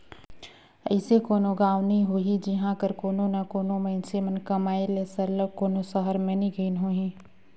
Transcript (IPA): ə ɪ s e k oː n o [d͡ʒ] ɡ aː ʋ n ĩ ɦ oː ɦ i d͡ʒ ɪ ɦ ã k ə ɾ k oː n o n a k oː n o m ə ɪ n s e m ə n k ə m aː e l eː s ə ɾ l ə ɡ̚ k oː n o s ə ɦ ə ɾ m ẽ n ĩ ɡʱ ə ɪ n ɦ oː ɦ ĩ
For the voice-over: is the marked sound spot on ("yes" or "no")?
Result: no